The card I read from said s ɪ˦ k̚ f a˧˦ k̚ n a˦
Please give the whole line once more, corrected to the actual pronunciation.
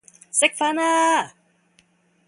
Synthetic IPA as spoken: s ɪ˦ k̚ f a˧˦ n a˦